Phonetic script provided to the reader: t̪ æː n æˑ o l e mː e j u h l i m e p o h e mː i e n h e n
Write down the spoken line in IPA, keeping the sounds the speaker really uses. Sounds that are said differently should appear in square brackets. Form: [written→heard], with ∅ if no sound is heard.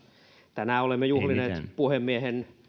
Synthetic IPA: t̪ [æː→æ] n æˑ o l e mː e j u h l i [m→n] e p [o→u] h e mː i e [n→∅] h e n